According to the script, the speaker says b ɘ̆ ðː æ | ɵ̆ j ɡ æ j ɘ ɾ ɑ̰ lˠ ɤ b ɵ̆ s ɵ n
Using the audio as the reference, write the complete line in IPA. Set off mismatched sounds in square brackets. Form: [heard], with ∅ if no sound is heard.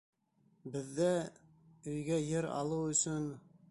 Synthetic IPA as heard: b ɘ̆ ðː æ | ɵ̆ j ɡ æ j ɘ ɾ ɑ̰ lˠ ɤ [w] ɵ̆ s ɵ n